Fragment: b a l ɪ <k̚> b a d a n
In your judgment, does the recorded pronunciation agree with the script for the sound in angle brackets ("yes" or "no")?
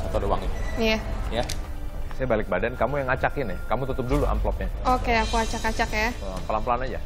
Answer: yes